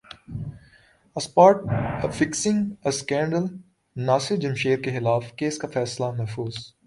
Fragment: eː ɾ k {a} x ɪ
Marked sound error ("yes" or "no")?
yes